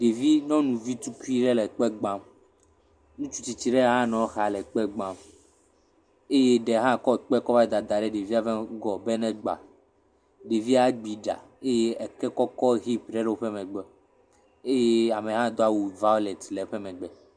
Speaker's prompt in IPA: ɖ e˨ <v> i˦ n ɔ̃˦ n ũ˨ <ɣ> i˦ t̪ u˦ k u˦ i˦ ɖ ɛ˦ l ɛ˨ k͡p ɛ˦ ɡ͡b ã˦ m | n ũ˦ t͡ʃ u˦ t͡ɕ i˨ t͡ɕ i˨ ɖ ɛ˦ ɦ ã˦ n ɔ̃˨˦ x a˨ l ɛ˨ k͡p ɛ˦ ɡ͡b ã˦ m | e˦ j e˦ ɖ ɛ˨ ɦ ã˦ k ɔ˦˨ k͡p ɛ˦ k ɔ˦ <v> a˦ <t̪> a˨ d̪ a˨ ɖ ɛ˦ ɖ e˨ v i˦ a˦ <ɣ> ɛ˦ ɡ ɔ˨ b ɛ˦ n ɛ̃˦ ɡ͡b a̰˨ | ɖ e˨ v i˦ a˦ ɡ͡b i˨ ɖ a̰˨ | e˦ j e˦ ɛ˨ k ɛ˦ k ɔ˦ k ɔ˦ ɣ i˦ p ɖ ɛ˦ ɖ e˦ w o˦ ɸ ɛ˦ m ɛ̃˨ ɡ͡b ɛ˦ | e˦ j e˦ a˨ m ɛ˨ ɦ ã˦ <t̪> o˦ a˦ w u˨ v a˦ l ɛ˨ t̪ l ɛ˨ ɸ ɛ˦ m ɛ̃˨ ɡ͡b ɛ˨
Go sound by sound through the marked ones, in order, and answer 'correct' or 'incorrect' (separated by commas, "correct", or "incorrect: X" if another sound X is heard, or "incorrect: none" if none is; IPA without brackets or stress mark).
correct, incorrect: v, correct, incorrect: d̪, incorrect: v, incorrect: d̪